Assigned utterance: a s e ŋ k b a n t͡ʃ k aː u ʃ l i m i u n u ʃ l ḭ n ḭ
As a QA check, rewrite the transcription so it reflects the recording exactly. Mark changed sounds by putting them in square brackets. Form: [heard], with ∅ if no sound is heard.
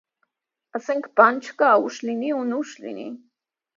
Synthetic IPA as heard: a s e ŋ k [p] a n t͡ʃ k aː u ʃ l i [n] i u n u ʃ l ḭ n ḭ